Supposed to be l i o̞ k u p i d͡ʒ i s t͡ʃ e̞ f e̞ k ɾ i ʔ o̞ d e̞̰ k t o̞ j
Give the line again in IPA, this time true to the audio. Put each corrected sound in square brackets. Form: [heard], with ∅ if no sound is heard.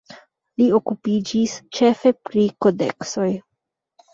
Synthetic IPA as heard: l i o̞ k u p i d͡ʒ i s t͡ʃ e̞ f e̞ [p] ɾ i [k] o̞ d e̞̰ k [s] o̞ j